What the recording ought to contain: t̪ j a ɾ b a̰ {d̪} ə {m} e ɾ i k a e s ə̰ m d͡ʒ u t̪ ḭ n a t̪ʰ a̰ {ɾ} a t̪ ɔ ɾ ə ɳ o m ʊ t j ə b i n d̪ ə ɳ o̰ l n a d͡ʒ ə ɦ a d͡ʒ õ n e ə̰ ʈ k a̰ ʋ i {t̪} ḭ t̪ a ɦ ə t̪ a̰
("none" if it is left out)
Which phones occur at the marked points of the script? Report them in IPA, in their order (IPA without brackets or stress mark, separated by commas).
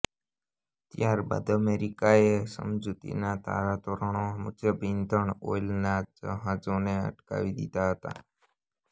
d̪, m, ɾ, d̪